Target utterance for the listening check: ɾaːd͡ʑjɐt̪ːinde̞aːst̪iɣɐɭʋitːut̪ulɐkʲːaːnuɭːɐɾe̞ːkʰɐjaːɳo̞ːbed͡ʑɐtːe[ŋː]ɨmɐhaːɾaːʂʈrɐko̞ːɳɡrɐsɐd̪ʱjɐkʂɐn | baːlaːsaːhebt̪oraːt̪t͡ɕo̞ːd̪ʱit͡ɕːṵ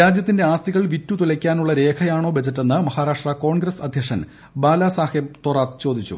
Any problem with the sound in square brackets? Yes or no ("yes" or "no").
yes